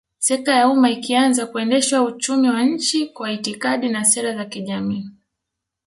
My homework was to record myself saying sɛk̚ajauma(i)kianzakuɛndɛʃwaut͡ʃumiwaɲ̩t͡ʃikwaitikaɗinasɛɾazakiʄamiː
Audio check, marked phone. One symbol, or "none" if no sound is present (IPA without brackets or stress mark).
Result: i